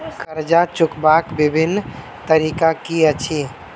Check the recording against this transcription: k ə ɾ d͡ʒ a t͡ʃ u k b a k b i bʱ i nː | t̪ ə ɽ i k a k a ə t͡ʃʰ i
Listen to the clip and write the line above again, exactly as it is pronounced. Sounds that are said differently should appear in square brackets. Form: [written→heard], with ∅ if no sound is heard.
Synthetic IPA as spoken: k ə ɾ d͡ʒ a t͡ʃ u k b a k b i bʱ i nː | t̪ ə [ɽ→ɾ] i k a k [a→i] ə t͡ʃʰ i